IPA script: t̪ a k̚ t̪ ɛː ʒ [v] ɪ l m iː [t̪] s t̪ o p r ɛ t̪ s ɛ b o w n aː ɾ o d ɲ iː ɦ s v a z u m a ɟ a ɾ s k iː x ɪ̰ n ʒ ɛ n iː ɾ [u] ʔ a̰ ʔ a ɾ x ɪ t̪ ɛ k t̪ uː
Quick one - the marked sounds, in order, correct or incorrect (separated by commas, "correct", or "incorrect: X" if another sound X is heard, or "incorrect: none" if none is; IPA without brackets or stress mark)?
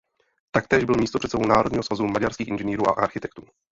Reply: incorrect: b, incorrect: none, incorrect: uː